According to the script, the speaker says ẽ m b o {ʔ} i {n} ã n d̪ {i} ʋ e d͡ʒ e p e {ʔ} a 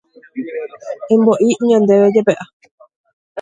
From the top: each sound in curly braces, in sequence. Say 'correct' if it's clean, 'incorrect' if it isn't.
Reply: correct, incorrect, incorrect, correct

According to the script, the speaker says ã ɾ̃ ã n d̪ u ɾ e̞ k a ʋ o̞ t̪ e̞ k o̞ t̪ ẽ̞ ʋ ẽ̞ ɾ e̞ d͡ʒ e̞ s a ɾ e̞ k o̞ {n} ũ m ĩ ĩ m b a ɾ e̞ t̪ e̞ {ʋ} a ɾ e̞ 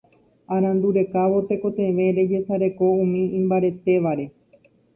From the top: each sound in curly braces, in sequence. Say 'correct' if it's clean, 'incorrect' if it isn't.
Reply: incorrect, correct

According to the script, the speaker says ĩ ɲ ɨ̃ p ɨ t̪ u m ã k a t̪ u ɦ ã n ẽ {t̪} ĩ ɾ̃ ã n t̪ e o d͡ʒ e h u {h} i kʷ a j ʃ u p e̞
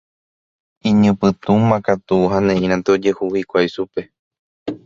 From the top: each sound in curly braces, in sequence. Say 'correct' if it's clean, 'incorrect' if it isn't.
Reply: incorrect, correct

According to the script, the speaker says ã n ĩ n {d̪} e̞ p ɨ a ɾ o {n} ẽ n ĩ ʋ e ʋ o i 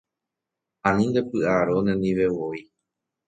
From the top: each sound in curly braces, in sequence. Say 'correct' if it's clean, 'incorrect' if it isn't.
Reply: correct, correct

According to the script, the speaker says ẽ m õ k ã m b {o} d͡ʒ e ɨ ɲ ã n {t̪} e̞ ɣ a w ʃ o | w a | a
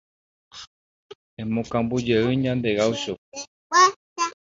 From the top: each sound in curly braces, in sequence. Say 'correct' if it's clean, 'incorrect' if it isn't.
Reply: incorrect, incorrect

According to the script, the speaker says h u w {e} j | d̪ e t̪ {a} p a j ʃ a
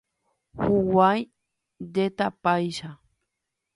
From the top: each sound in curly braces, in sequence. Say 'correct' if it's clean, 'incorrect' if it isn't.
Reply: incorrect, correct

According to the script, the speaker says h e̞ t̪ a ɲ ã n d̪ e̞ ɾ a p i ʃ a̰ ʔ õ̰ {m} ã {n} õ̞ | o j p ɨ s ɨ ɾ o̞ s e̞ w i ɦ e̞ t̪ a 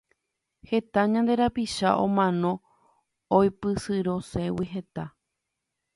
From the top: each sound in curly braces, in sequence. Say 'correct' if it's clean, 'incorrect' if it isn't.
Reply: correct, correct

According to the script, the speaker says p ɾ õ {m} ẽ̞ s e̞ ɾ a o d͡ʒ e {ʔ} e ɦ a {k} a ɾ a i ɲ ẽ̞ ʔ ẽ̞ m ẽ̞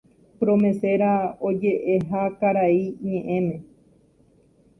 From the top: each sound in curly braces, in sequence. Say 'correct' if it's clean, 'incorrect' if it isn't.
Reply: correct, correct, correct

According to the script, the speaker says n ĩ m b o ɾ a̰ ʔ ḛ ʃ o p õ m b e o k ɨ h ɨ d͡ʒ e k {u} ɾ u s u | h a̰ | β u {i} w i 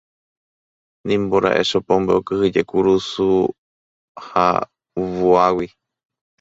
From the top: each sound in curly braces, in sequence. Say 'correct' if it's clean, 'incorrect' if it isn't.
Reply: correct, incorrect

